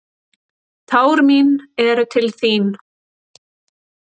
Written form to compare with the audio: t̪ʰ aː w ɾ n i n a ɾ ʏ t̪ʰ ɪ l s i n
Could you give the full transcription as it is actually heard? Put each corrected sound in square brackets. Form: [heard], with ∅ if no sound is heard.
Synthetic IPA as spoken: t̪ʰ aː w ɾ [m] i n [ɛ] ɾ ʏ t̪ʰ ɪ l [θ] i n